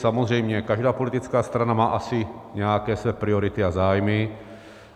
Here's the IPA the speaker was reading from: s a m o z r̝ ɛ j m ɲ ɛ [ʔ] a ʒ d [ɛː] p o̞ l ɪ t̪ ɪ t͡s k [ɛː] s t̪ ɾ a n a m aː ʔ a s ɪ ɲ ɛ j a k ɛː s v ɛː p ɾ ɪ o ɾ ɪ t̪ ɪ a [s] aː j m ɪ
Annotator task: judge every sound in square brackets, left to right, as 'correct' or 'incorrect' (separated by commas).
incorrect, incorrect, incorrect, incorrect